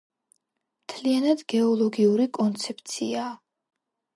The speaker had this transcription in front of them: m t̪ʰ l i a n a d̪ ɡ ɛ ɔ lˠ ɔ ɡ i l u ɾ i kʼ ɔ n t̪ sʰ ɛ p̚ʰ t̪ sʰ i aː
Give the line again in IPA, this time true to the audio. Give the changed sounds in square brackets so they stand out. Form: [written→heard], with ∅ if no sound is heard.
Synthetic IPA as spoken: m t̪ʰ l i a n a d̪ ɡ ɛ ɔ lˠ ɔ ɡ i [l→∅] u ɾ i kʼ ɔ n t̪ sʰ ɛ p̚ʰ t̪ sʰ i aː